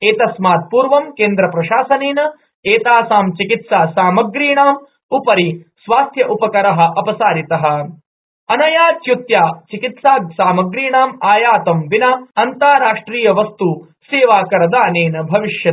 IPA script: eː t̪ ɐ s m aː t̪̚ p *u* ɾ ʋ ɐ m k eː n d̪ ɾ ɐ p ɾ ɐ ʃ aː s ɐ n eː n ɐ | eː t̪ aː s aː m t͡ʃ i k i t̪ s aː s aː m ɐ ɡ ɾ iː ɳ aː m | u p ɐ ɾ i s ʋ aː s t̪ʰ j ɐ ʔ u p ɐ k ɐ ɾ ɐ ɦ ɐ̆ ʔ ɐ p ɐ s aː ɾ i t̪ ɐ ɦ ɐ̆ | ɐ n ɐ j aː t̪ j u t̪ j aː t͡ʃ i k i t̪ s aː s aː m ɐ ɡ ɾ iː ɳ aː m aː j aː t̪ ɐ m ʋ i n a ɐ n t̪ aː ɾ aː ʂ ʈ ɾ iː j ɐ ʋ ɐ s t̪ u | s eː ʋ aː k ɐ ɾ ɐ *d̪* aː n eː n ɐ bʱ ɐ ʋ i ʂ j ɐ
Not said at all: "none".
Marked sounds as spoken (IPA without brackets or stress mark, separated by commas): uː, d̪